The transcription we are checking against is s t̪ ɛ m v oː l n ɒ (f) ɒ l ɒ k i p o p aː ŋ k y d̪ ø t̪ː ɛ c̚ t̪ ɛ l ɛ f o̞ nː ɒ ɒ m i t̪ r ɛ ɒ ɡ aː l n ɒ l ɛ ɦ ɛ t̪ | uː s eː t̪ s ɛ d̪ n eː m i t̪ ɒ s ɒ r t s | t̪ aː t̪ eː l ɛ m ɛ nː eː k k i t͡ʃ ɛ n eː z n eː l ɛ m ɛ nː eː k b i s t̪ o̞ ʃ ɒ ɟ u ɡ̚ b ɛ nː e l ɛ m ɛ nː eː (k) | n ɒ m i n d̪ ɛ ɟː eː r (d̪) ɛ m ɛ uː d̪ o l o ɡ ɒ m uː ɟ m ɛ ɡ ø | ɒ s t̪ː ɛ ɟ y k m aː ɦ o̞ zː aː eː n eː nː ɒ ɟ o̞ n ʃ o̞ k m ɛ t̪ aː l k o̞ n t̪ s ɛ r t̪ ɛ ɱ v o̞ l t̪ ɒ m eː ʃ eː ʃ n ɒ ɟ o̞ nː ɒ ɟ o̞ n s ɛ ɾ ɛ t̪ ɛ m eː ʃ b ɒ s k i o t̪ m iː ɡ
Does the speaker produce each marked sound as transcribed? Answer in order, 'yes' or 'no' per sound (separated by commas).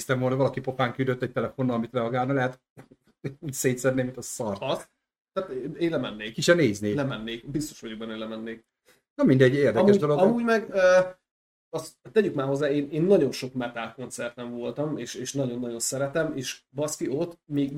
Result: no, yes, yes